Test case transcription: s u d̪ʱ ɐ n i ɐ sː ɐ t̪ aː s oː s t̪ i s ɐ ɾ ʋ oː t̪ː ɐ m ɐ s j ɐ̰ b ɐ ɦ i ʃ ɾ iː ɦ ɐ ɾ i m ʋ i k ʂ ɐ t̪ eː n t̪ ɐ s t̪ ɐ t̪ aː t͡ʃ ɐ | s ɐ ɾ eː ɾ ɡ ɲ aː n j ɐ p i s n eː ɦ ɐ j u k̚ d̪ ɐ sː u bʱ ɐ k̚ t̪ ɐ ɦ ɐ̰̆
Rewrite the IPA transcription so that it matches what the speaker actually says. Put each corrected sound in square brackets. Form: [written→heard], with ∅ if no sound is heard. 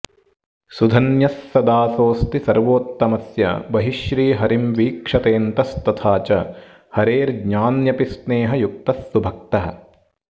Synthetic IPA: s u d̪ʱ ɐ n [i→j] ɐ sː ɐ [t̪→d̪] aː s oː s t̪ i s ɐ ɾ ʋ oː t̪ː ɐ m ɐ s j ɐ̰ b ɐ ɦ i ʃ ɾ iː ɦ ɐ ɾ i m ʋ [i→iː] k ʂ ɐ t̪ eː n t̪ ɐ s t̪ ɐ [t̪→t̪ʰ] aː t͡ʃ ɐ | [s→h] ɐ ɾ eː ɾ ɡ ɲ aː n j ɐ p i s n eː ɦ ɐ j u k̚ [d̪→t̪] ɐ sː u bʱ ɐ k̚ t̪ ɐ ɦ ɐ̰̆